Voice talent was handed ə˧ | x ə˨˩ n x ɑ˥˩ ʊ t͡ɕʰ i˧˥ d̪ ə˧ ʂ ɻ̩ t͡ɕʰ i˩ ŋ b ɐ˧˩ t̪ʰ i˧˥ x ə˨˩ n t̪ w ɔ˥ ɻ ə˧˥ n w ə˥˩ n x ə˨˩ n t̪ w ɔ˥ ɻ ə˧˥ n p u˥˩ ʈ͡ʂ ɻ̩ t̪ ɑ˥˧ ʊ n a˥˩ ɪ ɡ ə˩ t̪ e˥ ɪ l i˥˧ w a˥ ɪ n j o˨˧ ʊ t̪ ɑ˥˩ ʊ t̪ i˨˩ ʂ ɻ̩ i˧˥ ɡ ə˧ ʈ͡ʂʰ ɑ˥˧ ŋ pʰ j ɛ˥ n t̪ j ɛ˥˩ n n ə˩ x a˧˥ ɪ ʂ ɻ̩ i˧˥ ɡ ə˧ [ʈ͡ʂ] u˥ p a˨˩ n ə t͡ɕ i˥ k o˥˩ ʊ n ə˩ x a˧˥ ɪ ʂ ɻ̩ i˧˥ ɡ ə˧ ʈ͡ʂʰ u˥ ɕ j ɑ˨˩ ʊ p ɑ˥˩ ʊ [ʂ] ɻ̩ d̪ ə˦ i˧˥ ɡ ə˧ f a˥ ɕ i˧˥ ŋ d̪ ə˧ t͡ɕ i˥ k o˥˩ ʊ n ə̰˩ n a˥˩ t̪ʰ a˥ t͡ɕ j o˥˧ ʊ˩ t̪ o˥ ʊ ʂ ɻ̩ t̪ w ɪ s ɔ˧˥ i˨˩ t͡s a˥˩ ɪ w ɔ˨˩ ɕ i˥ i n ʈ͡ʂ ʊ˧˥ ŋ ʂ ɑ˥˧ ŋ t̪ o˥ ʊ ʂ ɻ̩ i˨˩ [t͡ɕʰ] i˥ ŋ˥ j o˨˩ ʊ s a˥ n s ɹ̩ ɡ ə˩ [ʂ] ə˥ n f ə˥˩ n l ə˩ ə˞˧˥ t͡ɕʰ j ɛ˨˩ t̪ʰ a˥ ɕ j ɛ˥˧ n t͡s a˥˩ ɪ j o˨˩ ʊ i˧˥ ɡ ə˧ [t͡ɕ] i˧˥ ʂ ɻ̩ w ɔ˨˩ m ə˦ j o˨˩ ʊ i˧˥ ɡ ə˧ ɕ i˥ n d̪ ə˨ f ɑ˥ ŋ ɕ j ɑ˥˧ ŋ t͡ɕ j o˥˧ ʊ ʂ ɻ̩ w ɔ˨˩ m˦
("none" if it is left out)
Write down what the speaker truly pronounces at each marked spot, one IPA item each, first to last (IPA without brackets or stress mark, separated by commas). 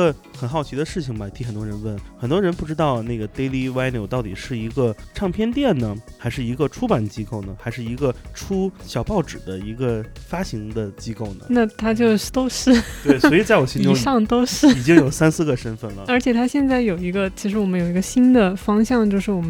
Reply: ʈ͡ʂʰ, ʈ͡ʂ, t͡ɕ, ʂ, t͡ɕʰ